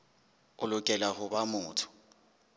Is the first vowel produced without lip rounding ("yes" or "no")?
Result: no